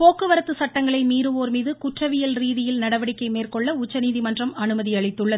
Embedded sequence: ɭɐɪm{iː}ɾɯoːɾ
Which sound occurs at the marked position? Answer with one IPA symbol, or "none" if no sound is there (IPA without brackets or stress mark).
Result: iː